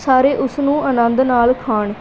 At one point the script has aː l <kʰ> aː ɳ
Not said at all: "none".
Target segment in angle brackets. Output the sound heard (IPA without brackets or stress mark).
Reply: kʰ